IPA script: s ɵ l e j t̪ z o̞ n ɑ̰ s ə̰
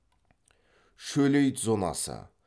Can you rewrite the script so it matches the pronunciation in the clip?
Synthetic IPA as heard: ʃ ɵ l e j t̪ z o̞ n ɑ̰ s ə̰